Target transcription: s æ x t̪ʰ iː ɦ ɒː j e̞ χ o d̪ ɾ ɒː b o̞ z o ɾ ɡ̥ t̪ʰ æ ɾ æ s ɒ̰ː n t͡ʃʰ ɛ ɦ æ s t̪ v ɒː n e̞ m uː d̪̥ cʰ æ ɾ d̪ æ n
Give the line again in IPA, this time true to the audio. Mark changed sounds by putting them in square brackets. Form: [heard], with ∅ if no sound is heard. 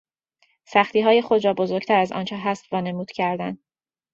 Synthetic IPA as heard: s æ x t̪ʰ iː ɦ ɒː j e̞ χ o d̪ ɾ ɒː b o̞ z o ɾ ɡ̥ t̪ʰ æ ɾ æ [z] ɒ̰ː n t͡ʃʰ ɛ ɦ æ s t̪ v ɒː n e̞ m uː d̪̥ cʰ æ ɾ d̪ æ n